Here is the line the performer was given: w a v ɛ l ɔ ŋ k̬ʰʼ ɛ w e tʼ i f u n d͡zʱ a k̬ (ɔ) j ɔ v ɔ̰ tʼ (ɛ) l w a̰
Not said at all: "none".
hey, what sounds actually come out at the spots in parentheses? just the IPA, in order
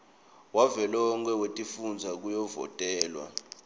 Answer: u, ɛː

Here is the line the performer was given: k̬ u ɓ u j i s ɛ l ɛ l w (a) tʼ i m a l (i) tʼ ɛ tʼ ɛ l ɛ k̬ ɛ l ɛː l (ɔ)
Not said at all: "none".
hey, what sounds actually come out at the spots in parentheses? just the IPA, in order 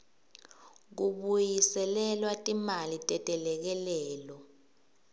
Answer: a, i, ɔ

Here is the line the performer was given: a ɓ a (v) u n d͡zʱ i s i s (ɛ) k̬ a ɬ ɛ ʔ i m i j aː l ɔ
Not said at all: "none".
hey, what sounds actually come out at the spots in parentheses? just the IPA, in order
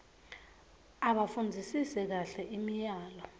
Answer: f, ɛ

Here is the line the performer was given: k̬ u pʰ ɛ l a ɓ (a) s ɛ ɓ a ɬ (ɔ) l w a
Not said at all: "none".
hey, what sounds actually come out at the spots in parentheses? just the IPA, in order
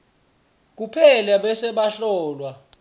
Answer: ɛ, ɔː

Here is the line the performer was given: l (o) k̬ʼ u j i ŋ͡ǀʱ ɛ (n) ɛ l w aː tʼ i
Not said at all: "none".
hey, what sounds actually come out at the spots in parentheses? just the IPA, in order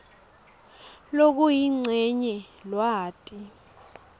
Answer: o, ɲ

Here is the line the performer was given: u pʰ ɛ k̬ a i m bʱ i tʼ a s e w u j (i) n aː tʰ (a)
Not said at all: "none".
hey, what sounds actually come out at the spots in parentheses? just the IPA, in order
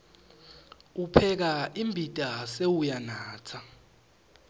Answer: a, a

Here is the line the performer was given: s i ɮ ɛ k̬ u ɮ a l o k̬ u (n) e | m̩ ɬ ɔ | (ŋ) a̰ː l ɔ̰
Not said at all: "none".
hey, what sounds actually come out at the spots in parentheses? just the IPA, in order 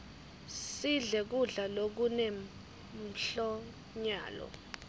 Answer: n, ɲ

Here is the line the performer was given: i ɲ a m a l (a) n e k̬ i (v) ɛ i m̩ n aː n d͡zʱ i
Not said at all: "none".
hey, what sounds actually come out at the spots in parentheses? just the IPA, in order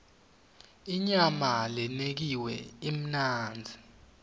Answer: ɛ, w

